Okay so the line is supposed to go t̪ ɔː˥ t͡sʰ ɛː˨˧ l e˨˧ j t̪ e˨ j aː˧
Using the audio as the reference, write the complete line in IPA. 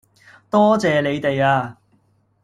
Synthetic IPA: t̪ ɔː˥ t͡s ɛː˨˧ l e˨˧ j t̪ e˨ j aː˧